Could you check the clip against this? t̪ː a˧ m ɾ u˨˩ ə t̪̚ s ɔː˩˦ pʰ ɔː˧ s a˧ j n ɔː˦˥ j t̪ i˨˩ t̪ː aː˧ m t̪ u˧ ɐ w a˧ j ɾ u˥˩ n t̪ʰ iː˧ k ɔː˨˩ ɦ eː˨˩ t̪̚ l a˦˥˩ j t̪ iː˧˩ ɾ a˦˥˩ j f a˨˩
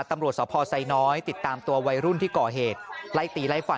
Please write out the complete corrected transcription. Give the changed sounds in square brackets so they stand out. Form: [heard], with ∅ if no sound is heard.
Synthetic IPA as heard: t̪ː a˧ m ɾ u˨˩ ə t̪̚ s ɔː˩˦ pʰ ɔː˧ s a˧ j n ɔː˦˥ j t̪ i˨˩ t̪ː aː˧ m t̪ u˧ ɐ w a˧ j ɾ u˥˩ n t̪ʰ [iː˥˩] k ɔː˨˩ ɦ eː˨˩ t̪̚ l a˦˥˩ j t̪ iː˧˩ [l] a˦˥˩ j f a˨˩